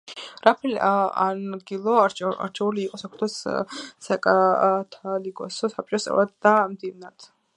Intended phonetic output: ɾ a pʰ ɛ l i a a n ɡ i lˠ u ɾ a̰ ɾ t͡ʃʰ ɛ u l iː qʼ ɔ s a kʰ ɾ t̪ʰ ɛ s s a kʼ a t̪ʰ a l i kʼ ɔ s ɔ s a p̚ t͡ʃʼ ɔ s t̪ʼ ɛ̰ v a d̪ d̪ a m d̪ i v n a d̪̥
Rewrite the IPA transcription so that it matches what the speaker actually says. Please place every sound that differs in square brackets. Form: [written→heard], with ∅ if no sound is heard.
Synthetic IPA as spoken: ɾ a pʰ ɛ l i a a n ɡ i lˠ [u→ɔ] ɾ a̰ ɾ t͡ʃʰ ɛ u l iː qʼ ɔ s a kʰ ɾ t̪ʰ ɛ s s a kʼ a t̪ʰ a l i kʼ ɔ s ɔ s a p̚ t͡ʃʼ ɔ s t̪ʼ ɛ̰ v a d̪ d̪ a m d̪ i v n a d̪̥